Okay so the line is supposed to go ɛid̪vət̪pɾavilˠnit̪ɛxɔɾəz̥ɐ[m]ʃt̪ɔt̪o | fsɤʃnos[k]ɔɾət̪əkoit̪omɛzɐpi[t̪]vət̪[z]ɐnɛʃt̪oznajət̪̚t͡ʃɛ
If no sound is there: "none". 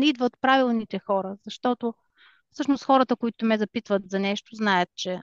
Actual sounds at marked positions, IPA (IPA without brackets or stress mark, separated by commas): none, x, t̪, z